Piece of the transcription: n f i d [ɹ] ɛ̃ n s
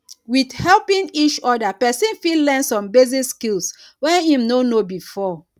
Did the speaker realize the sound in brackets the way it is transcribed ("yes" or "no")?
no